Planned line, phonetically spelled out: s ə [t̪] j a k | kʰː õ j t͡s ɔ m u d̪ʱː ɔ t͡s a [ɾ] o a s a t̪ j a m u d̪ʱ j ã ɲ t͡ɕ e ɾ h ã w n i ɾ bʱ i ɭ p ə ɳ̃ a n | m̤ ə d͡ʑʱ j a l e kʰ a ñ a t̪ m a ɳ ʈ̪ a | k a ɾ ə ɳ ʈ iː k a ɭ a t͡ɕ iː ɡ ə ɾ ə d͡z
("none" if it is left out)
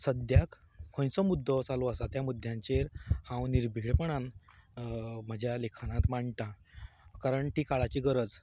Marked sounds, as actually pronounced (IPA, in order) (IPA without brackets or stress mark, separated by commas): d̪, l